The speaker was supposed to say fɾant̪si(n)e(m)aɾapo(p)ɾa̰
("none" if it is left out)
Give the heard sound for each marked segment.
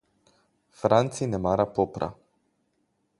n, m, p

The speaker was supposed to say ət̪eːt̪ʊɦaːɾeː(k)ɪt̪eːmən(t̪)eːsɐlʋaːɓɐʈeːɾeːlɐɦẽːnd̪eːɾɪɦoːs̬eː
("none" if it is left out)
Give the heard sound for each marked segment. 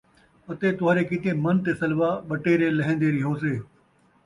k, t̪

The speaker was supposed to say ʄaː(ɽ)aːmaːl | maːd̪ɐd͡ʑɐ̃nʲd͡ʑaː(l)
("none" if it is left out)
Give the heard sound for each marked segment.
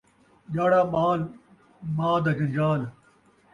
ɽ, l

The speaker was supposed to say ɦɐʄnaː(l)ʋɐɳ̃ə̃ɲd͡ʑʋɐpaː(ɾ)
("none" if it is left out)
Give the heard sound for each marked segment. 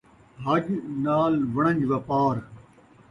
l, ɾ

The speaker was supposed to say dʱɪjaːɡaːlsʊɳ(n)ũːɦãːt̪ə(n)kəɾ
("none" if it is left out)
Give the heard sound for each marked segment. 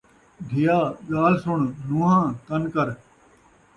n, n

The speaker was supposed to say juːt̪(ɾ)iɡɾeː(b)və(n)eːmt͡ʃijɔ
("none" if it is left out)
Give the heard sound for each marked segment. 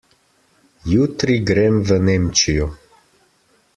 ɾ, m, n

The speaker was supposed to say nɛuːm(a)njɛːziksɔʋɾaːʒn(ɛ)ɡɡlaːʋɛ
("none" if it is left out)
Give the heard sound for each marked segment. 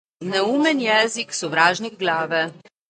ɛ, i

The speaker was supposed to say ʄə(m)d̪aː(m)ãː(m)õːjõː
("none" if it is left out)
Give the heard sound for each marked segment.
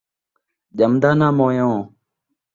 m, n, m

